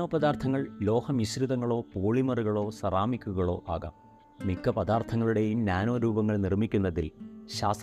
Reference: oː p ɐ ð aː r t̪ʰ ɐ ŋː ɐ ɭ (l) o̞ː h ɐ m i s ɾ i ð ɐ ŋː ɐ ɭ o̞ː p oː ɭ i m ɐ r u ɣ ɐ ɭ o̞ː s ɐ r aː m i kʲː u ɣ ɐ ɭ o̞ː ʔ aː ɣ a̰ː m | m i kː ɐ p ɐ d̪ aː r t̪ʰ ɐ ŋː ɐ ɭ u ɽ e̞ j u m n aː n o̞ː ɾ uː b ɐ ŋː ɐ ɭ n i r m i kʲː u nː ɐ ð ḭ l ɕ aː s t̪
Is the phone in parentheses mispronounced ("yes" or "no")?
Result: no